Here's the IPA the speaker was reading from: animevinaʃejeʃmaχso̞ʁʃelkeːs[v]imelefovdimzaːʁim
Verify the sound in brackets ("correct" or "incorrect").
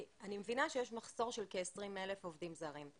incorrect